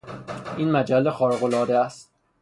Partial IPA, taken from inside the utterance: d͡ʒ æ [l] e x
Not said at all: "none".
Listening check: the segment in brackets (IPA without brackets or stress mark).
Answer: lː